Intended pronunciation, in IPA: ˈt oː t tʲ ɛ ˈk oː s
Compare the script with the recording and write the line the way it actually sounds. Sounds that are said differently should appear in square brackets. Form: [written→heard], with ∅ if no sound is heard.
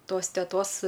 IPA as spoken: ˈt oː [t→s] tʲ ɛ [ˈk→ˈt] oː s